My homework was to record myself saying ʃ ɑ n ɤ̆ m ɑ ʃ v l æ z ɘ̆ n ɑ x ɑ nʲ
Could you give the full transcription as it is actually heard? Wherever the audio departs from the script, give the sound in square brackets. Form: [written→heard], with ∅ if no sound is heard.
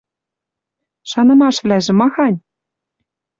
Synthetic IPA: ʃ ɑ n ɤ̆ m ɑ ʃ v l æ [z→ʒ] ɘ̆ [n→m] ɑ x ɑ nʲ